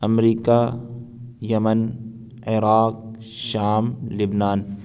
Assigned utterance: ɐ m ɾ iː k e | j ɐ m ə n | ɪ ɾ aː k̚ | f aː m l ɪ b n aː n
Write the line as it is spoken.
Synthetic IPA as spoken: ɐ m ɾ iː k a | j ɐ m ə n | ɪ ɾ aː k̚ | ʃ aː m l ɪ b n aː n